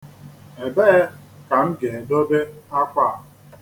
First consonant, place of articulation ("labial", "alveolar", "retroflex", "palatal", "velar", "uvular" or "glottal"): labial